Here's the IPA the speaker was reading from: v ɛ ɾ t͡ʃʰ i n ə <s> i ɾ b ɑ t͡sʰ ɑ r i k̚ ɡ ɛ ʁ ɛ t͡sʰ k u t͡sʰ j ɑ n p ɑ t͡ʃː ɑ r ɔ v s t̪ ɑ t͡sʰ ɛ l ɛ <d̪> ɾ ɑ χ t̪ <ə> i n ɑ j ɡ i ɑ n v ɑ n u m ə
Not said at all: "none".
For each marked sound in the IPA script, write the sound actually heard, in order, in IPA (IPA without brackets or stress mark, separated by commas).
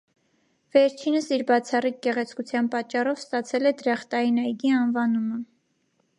s, d̪, ɑ